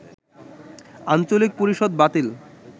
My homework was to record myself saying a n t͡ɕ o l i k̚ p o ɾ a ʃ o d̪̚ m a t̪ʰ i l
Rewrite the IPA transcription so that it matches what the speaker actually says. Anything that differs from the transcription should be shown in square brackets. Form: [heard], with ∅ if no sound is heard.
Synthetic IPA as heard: a n t͡ɕ o l i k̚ p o ɾ [i] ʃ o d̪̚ [b] a [t̪] i l